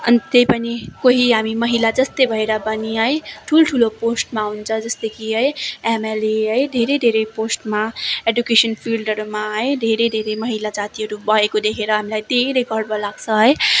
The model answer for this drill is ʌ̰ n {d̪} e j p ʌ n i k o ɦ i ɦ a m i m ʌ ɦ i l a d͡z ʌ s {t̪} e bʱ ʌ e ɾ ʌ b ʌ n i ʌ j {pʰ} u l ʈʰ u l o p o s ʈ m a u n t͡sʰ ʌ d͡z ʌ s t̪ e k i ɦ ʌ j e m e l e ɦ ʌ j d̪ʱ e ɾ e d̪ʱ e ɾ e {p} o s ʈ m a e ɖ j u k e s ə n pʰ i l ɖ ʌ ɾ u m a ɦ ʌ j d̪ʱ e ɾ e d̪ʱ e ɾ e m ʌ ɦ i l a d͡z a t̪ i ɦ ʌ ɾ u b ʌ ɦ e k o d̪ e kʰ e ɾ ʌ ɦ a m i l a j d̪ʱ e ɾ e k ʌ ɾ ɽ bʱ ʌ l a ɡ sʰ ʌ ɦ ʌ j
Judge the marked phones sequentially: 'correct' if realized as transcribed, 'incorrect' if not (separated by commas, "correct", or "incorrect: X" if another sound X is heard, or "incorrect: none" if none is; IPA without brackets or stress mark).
incorrect: t̪, correct, incorrect: ʈʰ, correct